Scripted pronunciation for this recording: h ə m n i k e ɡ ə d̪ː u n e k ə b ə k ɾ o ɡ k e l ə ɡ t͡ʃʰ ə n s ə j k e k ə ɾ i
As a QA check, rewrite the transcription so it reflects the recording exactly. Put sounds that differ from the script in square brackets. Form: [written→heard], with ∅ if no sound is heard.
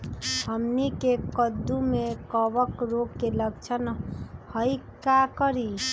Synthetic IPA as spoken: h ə m n i k e [ɡ→k] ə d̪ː u [n→m] e k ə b ə k ɾ o ɡ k e l ə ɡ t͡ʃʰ ə n [s→h] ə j k [e→a] k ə ɾ i